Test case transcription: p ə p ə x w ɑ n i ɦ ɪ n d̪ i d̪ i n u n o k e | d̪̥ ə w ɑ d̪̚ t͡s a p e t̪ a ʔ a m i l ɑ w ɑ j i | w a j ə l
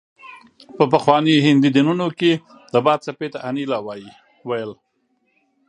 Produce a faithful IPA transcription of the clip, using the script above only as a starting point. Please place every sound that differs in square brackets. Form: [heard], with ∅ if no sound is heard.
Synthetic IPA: p ə p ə x w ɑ n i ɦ ɪ n d̪ i d̪ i n u n o k e | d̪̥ ə [b] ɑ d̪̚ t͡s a p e t̪ a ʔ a [n] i l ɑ w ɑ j i | w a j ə l